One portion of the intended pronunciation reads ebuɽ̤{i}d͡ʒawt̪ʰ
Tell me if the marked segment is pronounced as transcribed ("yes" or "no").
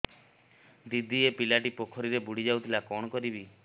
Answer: yes